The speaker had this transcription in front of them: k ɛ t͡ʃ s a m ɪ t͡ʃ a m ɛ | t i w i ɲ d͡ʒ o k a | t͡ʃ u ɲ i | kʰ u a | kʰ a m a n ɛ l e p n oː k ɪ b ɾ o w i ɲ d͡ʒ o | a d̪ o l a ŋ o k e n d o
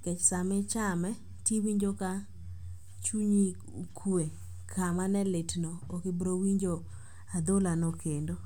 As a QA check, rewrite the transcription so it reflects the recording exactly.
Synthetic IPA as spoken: k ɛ t͡ʃ s a m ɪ t͡ʃ a m ɛ | t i w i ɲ d͡ʒ o k a | t͡ʃ u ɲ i | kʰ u e | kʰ a m a n ɛ l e t n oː k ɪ b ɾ o w i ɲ d͡ʒ o | a d̪ o l a n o k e n d o